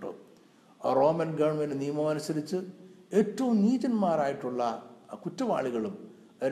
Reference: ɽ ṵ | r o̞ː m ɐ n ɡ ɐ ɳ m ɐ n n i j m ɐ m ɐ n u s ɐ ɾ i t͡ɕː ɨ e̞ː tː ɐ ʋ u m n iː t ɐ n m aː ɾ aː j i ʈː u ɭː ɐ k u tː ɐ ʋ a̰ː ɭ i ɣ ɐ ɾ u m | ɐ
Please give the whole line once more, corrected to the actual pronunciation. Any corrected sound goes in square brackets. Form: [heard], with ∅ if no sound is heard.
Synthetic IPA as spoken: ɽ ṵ | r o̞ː m ɐ n ɡ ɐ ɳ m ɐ n n i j m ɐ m ɐ n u s ɐ ɾ i t͡ɕː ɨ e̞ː tː ɐ ʋ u m n iː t ɐ n m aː ɾ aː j i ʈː u ɭː ɐ k u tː ɐ ʋ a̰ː ɭ i ɣ ɐ [ɭ] u m | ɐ